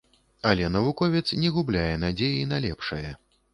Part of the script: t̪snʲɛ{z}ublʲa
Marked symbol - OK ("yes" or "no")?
no